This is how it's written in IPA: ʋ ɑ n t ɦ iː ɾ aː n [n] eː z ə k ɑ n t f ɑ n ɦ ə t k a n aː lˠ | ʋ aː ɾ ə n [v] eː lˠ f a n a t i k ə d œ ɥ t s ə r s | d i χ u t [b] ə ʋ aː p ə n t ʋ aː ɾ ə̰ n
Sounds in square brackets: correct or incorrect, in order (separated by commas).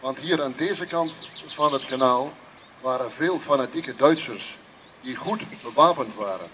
incorrect, correct, correct